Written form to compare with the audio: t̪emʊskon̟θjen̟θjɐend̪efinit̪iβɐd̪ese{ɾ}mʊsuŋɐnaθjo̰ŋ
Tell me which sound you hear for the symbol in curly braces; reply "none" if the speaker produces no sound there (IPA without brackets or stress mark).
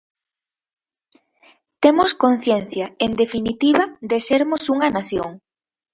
ɾ